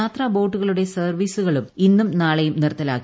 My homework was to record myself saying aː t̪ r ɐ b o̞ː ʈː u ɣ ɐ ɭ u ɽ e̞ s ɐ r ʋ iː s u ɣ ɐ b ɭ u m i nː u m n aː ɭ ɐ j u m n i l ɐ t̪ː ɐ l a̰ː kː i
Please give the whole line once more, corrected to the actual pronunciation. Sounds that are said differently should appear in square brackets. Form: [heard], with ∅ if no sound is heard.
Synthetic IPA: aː t̪ r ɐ b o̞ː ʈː u ɣ ɐ ɭ u ɽ e̞ s ɐ r ʋ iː s u ɣ ɐ [∅] ɭ u m i nː u m n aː ɭ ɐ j u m n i [r] ɐ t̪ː ɐ l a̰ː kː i